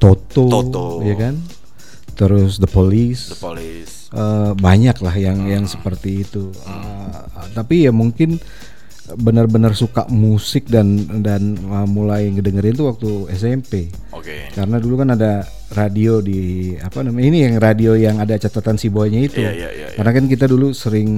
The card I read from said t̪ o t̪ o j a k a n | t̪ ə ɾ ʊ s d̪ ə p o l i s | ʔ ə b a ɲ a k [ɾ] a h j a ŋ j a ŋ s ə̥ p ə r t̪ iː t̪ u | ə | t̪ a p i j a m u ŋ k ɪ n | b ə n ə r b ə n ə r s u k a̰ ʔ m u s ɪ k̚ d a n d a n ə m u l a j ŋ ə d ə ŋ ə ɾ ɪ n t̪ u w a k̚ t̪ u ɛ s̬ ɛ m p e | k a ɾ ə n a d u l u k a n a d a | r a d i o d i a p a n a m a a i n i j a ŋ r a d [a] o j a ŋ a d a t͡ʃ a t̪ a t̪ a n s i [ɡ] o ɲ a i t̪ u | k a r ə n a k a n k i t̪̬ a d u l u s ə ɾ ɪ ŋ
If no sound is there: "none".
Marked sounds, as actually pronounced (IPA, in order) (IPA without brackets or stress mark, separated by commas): l, i, b